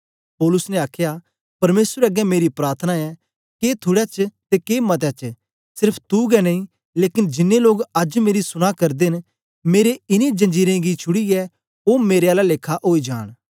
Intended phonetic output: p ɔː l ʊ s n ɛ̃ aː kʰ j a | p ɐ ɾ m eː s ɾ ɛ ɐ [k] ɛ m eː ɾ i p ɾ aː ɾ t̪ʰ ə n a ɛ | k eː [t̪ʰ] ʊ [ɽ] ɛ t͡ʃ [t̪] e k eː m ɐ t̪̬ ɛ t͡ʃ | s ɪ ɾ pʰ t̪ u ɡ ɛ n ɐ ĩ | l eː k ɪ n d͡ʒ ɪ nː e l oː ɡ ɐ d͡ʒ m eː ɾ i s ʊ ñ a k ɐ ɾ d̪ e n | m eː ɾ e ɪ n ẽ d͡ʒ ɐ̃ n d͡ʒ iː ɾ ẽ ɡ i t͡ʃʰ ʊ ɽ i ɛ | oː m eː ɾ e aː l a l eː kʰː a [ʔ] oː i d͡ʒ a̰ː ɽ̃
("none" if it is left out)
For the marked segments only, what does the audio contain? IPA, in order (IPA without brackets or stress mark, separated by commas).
ɡ, t̪ʰ, ɽ, t̪, ʔ